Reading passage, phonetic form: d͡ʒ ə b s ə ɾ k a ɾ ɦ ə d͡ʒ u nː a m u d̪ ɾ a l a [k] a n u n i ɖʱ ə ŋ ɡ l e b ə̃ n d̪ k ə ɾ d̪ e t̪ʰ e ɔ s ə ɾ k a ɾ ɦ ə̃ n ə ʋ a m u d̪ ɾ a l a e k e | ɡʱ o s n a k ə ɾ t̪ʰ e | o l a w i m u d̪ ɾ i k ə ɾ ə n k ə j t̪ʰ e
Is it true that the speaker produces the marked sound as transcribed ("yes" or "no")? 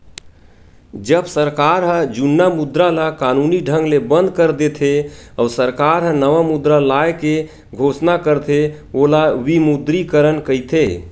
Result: yes